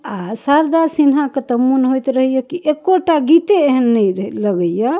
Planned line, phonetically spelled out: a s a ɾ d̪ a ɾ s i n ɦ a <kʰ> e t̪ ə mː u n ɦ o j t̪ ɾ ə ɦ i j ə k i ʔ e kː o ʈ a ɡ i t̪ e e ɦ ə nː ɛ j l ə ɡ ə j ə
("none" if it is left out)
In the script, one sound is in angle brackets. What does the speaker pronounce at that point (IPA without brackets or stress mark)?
k